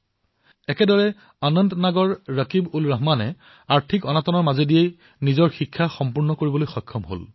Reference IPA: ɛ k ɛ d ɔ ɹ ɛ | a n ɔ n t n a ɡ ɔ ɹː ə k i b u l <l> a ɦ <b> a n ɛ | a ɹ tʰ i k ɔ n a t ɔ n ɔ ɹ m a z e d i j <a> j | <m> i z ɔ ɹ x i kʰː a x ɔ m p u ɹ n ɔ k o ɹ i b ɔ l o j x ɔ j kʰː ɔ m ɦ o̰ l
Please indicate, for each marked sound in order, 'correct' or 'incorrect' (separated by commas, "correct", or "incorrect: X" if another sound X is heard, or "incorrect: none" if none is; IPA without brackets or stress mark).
incorrect: ɹ, incorrect: m, incorrect: e, incorrect: n